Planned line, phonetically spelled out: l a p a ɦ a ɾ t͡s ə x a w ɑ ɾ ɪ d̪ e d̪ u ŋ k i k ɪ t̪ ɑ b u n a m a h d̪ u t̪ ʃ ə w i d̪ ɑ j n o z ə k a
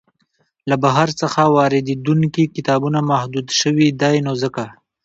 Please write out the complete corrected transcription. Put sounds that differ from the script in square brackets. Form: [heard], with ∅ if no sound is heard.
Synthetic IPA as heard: l a [b] a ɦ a ɾ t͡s ə x a w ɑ ɾ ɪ d̪ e d̪ u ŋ k i k ɪ t̪ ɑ b u n a m a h d̪ u [d̪] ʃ ə w i d̪ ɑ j n o z ə k a